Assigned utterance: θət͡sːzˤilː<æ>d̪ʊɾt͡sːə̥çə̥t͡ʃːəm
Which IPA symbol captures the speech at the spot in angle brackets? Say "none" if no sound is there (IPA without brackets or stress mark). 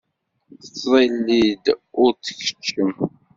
i